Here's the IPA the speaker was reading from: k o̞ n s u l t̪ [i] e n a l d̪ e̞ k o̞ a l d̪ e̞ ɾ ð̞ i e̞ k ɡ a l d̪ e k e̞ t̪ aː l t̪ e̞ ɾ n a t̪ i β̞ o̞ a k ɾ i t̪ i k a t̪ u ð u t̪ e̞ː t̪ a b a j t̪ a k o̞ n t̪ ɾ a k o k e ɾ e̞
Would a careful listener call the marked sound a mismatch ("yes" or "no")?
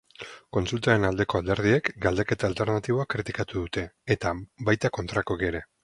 yes